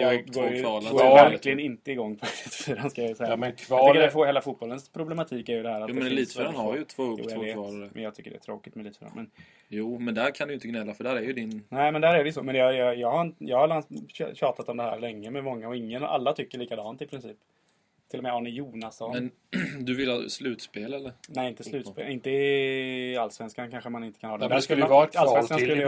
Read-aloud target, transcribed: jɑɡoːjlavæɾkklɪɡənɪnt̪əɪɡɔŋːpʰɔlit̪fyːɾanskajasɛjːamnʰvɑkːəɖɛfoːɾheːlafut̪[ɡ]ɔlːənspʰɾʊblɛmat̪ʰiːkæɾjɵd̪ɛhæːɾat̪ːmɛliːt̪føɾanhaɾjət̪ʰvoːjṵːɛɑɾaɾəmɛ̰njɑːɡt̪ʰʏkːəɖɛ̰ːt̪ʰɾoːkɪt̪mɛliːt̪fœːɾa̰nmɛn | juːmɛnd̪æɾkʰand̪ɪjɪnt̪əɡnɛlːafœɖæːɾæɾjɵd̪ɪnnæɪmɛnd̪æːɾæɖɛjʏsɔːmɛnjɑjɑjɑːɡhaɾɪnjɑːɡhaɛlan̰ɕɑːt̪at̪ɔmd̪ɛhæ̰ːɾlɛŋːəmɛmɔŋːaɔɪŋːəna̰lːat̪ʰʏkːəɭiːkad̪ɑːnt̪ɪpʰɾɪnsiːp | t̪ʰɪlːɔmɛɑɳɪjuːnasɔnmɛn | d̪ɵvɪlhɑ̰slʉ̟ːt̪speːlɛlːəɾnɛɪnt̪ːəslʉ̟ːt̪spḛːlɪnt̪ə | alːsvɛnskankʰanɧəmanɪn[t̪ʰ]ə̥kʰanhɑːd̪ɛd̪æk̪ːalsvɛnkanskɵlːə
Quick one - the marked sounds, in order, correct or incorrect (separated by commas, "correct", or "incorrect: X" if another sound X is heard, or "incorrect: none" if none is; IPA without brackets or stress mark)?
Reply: incorrect: b, incorrect: t̪